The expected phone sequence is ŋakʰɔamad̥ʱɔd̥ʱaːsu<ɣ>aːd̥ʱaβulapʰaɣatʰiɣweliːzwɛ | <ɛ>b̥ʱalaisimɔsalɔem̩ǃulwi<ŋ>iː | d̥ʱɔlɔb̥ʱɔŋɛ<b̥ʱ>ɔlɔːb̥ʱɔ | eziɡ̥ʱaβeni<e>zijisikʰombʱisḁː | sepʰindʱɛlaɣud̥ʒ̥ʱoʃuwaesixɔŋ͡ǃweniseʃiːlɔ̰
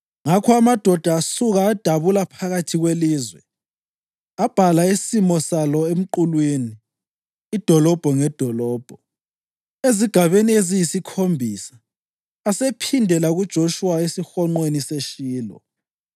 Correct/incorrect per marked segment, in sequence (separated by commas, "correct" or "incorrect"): correct, incorrect, incorrect, incorrect, correct